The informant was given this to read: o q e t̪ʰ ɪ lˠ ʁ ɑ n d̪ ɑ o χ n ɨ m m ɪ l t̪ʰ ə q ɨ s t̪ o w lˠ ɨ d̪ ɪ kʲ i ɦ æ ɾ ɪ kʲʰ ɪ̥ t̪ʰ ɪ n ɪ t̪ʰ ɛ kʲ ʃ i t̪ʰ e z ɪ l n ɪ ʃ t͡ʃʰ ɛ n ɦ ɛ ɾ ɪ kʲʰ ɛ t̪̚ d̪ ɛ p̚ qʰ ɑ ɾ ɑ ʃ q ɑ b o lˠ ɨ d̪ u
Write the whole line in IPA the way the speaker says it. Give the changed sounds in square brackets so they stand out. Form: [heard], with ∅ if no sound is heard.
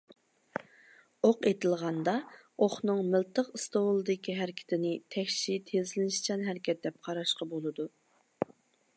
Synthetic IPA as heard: o q e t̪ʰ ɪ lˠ ʁ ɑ n d̪ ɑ o χ n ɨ [ŋ] m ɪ l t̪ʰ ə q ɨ s t̪ o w lˠ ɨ d̪ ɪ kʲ i ɦ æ ɾ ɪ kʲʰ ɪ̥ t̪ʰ ɪ n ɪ t̪ʰ ɛ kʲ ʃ i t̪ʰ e z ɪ l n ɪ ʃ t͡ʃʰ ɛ n ɦ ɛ ɾ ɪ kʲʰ ɛ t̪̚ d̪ ɛ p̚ qʰ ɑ ɾ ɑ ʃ q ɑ b o lˠ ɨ d̪ u